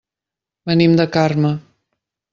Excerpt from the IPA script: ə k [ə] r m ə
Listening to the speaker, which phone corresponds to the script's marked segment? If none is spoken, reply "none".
a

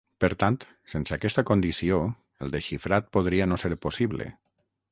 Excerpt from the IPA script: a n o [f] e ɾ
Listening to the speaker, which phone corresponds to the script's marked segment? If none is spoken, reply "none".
s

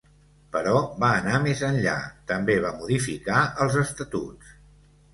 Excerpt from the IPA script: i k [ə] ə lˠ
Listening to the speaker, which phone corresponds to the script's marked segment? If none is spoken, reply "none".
a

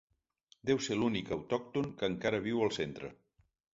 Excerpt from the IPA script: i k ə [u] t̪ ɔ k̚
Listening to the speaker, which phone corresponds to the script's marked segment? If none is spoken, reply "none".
w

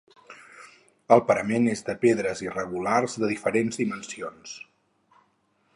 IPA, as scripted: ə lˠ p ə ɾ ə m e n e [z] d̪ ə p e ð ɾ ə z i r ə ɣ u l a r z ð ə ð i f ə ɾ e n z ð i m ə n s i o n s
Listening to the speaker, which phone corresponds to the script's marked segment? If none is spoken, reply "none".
z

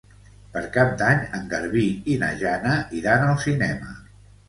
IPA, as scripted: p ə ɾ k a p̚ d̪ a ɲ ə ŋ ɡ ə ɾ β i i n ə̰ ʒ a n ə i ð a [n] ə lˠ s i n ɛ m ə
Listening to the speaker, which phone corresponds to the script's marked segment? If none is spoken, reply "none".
n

